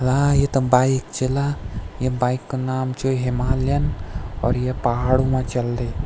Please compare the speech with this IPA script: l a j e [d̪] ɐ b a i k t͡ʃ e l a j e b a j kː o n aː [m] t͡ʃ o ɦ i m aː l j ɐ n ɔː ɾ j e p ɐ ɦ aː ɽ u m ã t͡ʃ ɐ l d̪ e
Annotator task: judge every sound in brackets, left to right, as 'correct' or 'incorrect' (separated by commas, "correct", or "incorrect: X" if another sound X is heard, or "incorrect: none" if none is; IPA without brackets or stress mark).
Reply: incorrect: t̪, correct